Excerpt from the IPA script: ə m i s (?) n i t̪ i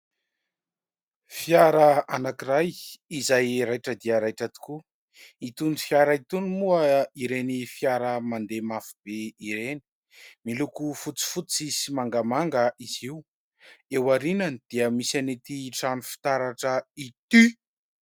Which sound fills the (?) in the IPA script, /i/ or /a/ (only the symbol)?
a